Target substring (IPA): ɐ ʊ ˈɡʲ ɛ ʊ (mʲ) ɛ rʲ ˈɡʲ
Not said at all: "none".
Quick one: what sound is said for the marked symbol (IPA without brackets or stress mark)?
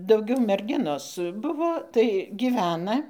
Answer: mʲ